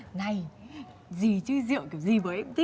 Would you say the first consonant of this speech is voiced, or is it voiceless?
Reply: voiced